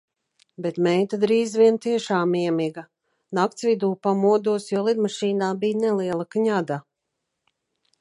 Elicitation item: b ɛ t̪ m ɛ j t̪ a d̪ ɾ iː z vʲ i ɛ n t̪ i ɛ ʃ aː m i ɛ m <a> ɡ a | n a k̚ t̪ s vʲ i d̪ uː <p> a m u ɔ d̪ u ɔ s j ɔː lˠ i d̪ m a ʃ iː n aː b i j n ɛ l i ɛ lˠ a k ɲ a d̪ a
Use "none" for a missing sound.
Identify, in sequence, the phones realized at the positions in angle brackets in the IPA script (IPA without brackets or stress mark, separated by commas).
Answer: i, p